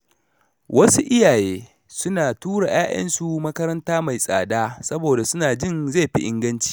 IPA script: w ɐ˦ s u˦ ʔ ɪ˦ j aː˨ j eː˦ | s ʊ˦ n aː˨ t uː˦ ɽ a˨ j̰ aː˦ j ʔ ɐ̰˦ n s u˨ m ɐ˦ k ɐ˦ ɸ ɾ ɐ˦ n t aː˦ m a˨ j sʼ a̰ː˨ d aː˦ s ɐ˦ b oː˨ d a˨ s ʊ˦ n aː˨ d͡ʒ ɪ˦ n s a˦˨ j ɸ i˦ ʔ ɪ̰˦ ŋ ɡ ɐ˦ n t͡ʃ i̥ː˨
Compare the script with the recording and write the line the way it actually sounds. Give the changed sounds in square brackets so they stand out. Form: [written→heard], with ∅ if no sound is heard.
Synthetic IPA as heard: w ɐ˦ s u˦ ʔ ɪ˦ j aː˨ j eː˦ | s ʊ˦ n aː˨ t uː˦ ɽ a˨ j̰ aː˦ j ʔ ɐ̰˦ n s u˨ m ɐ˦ k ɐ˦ [ɸ→∅] ɾ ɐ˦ n t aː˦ m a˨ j sʼ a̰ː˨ d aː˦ s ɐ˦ b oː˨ d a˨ s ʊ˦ n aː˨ d͡ʒ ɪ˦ n [s→z] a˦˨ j ɸ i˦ ʔ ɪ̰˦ ŋ ɡ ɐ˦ n t͡ʃ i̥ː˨